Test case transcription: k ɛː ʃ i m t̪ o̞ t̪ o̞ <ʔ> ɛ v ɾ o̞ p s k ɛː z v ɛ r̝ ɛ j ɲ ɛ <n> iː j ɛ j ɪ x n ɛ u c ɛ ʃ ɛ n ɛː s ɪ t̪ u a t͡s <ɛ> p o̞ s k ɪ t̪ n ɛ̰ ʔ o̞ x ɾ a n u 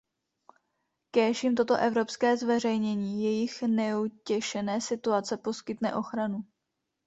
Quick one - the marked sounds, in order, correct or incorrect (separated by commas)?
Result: correct, incorrect, correct